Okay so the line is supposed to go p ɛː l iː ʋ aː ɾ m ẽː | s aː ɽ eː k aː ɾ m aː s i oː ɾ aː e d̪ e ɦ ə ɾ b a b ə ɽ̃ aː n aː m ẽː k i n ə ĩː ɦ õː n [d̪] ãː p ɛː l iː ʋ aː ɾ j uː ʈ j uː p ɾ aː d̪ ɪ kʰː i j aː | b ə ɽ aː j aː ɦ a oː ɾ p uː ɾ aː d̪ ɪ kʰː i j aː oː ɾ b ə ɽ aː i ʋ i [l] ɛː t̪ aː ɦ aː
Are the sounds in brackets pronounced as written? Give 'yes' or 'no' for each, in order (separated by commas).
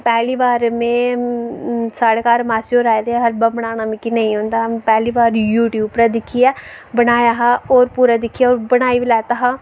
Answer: yes, yes